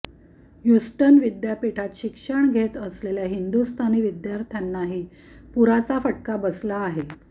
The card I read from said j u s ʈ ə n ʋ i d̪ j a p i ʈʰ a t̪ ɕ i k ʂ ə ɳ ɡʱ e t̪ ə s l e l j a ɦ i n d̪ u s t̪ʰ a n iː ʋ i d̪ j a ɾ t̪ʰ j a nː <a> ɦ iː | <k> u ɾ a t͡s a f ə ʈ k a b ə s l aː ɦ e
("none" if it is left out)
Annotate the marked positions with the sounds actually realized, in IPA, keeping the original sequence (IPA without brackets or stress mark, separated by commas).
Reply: a, p